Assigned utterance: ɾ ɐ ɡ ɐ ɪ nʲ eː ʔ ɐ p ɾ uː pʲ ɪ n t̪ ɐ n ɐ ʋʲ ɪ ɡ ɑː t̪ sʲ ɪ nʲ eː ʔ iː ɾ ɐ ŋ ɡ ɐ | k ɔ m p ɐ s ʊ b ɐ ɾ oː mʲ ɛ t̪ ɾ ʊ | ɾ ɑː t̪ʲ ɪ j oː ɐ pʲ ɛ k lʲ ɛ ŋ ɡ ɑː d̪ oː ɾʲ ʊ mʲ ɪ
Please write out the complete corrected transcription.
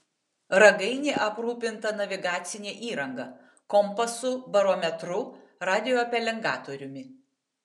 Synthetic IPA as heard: ɾ ɐ ɡ ɐ ɪ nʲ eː ʔ ɐ p ɾ uː pʲ ɪ n t̪ ɐ n ɐ ʋʲ ɪ ɡ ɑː t̪ sʲ ɪ nʲ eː ʔ iː ɾ ɐ ŋ ɡ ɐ | k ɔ m p ɐ s ʊ b ɐ ɾ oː mʲ ɛ t̪ ɾ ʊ | ɾ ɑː d̪ʲ ɪ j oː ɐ pʲ ɛ lʲ ɛ ŋ ɡ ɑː t̪ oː ɾʲ ʊ mʲ ɪ